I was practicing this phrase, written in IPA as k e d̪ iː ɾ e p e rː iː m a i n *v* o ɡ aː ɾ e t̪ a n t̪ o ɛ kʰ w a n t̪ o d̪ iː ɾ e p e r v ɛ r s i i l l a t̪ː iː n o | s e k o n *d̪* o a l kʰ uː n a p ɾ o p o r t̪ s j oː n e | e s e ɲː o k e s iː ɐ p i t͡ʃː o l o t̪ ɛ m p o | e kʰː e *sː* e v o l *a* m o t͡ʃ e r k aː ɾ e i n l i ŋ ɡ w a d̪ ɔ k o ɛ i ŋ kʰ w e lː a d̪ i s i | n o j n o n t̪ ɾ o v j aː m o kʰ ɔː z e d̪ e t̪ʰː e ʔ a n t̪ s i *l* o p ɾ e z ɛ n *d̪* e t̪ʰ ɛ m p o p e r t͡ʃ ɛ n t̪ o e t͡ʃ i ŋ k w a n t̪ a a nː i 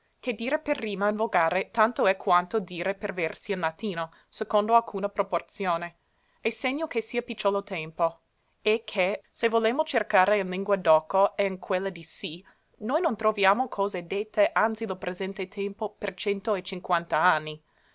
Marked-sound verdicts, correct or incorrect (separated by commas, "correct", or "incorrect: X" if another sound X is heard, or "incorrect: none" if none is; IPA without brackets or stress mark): correct, correct, incorrect: s, incorrect: e, correct, incorrect: t̪